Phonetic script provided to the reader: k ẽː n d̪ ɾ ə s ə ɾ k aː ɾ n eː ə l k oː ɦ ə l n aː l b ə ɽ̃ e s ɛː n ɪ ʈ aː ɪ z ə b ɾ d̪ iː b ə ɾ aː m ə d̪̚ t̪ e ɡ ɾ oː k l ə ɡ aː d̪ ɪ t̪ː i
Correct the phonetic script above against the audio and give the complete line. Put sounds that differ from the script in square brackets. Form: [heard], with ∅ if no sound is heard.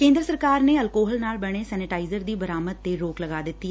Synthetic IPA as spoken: k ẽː n d̪ ɾ ə s ə ɾ k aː ɾ n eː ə l k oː ɦ ə l n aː l b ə ɽ̃ e s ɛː n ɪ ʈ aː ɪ z ə [∅] ɾ d̪ iː b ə ɾ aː m ə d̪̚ t̪ e [∅] ɾ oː k l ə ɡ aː d̪ ɪ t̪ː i